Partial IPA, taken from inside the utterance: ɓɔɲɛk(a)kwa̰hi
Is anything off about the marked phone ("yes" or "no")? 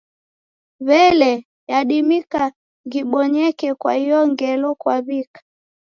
yes